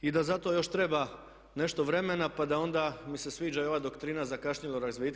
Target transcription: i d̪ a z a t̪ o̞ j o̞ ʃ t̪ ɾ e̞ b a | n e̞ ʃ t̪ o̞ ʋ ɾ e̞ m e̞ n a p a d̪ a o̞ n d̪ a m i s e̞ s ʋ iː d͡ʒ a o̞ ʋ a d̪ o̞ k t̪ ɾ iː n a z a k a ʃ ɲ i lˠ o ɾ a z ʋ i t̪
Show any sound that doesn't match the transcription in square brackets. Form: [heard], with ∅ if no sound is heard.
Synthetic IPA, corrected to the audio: i d̪ a z a t̪ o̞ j o̞ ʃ t̪ ɾ e̞ b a | n e̞ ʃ t̪ o̞ ʋ ɾ e̞ m e̞ n a p a d̪ a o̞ n d̪ a m i s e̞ s ʋ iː d͡ʒ a o̞ ʋ a d̪ o̞ k t̪ ɾ iː n a z a k a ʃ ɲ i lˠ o ɾ a z ʋ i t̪